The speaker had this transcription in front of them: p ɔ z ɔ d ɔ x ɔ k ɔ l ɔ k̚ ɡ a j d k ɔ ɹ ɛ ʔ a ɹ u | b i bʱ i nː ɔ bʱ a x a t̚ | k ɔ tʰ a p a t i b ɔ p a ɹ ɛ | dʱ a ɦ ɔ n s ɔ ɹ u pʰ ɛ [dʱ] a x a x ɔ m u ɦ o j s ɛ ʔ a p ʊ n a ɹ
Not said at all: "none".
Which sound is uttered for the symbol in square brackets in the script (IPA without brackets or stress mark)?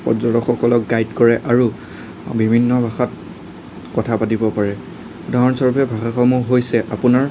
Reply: bʱ